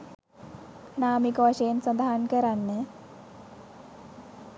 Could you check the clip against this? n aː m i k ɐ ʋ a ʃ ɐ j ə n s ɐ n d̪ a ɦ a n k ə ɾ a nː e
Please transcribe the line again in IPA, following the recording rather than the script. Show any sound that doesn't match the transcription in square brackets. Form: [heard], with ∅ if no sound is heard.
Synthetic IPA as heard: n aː m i k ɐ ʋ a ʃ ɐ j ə n s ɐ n d̪ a ɦ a n k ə ɾ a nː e